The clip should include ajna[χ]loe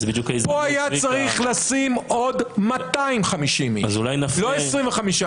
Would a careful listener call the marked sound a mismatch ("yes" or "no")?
yes